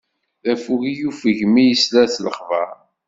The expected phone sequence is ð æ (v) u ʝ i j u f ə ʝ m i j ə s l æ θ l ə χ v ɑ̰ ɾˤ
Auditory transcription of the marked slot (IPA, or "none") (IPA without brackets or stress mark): f